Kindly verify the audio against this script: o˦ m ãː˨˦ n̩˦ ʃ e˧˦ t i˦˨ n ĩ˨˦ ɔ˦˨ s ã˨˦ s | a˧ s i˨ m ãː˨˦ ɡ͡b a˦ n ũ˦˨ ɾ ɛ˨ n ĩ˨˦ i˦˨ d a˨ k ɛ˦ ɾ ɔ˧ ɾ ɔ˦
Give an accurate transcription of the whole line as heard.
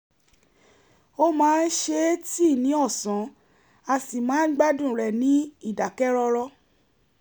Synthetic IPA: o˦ m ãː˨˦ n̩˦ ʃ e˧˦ t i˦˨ n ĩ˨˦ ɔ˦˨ s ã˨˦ | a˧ s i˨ m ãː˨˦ ɡ͡b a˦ d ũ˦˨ ɾ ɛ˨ n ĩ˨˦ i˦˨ d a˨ k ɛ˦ ɾ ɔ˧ ɾ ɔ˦